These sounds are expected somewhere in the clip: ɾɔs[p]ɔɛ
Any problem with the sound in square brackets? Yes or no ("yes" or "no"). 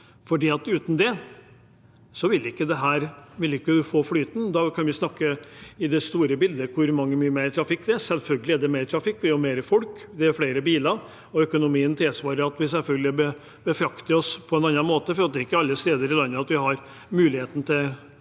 yes